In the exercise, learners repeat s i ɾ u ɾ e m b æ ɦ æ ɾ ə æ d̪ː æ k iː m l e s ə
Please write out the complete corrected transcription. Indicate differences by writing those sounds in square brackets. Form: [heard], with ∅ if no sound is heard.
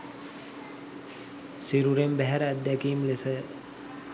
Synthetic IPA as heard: s i ɾ u ɾ e m b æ ɦ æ ɾ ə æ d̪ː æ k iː m l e s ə